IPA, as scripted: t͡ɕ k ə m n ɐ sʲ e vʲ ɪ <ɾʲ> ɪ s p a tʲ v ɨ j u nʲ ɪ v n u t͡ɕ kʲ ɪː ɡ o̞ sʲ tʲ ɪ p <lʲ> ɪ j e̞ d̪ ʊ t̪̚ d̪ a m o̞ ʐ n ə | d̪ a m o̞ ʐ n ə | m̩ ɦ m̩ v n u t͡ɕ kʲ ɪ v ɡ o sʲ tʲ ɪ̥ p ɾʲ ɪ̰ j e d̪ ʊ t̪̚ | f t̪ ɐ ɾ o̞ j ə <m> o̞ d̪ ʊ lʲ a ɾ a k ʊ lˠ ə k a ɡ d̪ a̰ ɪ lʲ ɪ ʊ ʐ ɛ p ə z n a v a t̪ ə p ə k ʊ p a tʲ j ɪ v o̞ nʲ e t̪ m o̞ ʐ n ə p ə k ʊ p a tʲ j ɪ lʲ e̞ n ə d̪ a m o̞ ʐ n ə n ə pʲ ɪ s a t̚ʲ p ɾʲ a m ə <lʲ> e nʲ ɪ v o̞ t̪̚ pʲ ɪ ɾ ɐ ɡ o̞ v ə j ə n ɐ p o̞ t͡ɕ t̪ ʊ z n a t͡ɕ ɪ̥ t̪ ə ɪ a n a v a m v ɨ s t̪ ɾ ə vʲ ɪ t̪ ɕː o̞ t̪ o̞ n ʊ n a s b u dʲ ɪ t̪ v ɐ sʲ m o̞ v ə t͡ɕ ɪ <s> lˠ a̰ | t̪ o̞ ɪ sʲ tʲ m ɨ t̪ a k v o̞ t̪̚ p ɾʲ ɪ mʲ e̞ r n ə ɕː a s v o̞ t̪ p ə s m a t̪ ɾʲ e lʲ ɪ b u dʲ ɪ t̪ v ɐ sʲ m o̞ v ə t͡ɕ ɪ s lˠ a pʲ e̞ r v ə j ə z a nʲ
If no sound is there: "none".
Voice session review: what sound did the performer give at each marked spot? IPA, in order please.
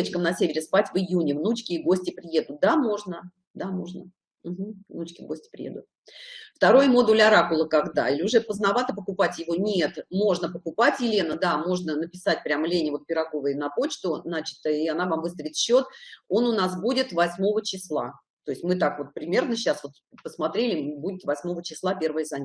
ɾʲ, ɾʲ, m, lʲ, s

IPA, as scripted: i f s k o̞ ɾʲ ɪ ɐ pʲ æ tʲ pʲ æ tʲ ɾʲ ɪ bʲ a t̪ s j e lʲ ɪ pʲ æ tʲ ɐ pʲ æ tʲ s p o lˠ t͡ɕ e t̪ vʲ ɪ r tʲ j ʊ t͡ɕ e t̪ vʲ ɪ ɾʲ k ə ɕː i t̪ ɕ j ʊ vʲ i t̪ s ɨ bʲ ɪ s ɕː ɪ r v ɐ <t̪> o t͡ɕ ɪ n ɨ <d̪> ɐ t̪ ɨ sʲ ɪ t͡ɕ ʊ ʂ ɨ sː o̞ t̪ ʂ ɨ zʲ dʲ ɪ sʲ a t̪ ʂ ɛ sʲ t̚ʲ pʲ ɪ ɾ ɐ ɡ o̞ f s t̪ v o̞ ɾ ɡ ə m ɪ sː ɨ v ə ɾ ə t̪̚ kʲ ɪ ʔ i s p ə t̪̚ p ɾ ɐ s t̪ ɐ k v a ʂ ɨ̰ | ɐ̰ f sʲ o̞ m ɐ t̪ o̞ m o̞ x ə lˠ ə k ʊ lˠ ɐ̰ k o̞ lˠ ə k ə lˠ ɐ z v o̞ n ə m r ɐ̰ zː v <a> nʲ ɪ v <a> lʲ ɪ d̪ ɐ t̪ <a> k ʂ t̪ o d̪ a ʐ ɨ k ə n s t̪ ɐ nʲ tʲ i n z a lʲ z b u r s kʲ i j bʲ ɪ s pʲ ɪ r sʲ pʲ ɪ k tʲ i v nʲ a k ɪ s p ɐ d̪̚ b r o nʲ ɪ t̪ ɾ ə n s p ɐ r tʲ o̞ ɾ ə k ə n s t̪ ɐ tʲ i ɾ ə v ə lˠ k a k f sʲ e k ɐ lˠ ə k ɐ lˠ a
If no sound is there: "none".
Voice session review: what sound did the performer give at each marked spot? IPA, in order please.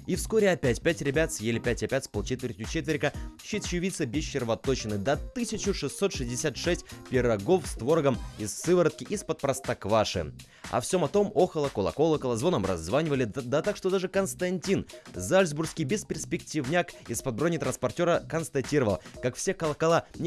t̪, d̪, a, ə, a

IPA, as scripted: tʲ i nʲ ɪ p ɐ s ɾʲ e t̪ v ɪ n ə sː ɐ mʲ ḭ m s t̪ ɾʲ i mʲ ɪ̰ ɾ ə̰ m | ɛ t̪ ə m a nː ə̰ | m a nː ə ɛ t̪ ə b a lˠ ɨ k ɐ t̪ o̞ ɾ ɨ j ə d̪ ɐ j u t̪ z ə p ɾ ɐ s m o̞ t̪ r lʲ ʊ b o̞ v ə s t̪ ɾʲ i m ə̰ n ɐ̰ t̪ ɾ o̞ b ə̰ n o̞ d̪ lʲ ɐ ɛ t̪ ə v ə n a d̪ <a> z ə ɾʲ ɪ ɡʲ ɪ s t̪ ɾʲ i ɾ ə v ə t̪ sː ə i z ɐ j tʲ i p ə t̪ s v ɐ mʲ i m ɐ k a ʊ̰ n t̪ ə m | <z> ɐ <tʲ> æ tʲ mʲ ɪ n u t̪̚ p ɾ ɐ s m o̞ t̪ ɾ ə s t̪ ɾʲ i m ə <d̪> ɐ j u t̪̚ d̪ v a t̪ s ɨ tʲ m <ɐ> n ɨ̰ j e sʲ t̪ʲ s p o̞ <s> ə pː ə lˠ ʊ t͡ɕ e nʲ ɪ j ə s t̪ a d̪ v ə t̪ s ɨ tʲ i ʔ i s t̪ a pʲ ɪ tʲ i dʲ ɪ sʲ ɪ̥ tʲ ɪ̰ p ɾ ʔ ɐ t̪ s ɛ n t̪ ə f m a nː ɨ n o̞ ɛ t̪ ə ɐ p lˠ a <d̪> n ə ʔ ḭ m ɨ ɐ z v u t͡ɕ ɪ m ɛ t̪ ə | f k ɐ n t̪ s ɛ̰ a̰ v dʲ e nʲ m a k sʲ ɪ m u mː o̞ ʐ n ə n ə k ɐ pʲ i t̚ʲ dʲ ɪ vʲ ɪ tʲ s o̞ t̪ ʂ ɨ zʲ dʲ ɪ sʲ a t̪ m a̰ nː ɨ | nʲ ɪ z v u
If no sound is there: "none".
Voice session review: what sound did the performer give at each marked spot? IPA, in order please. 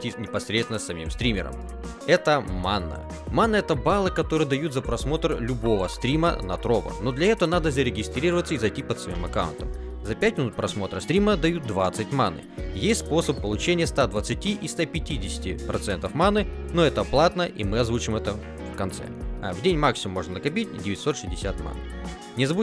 ə, z, pʲ, d̪, a, s, t̪

